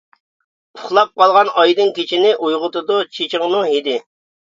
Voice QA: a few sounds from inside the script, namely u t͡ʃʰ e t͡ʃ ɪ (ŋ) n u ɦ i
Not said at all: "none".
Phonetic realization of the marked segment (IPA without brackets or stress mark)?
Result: ŋ